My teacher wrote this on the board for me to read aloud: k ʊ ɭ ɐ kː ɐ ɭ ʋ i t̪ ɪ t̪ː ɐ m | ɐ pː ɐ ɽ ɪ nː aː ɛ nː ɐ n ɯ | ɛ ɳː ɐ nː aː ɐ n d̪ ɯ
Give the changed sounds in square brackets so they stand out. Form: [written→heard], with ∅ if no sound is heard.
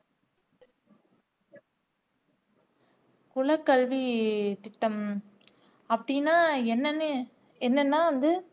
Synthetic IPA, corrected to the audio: k ʊ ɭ ɐ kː ɐ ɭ ʋ i t̪ ɪ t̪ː ɐ m | ɐ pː ɐ ɽ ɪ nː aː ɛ nː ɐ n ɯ | ɛ [ɳː→nː] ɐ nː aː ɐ n d̪ ɯ